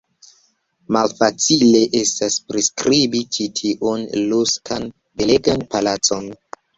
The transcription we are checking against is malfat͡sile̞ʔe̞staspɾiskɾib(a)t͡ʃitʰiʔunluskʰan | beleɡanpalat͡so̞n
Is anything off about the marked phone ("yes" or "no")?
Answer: yes